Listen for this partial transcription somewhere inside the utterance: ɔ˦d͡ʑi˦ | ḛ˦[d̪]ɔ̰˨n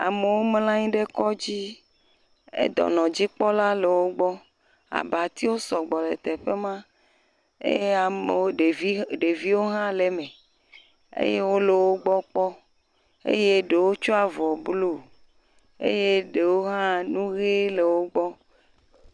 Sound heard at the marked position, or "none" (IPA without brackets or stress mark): d̪